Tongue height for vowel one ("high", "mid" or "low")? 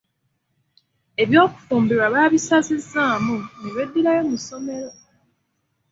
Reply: mid